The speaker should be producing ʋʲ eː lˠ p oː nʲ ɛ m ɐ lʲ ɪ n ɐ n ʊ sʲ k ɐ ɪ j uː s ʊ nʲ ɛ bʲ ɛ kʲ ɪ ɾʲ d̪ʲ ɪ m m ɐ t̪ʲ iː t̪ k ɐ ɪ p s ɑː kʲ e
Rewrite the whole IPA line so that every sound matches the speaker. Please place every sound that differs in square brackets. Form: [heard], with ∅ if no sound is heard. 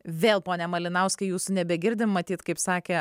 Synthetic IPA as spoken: ʋʲ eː lˠ p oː nʲ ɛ m ɐ lʲ ɪ n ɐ [∅] ʊ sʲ k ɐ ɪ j uː s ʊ nʲ ɛ bʲ ɛ [ɡʲ] ɪ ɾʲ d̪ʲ ɪ m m ɐ t̪ʲ iː t̪ k ɐ ɪ p s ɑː kʲ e